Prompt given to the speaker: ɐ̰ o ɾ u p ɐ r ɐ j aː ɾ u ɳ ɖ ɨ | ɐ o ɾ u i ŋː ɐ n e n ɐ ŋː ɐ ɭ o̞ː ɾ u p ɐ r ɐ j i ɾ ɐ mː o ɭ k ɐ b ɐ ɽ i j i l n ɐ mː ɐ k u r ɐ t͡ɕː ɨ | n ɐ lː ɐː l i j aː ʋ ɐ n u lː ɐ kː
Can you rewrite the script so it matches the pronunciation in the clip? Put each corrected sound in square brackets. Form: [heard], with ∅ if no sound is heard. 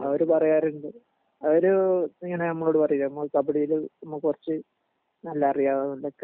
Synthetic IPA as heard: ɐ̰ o ɾ u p ɐ r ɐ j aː ɾ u ɳ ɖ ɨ | ɐ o ɾ u i ŋː ɐ n e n ɐ [mː] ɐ ɭ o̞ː [ɽ] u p ɐ r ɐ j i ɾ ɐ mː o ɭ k ɐ b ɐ ɽ i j i l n ɐ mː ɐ k u r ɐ t͡ɕː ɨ | n ɐ lː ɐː [r] i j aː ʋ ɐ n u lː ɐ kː